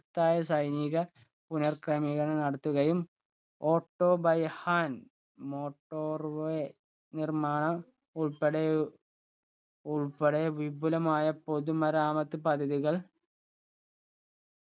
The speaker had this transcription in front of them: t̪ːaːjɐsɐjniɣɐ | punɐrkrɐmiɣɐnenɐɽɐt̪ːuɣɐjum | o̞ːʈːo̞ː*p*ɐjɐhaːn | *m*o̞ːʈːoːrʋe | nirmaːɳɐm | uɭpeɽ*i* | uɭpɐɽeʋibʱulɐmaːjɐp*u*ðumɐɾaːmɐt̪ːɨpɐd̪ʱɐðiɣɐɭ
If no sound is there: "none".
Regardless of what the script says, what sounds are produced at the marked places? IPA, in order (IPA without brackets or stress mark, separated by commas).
b, m, e, o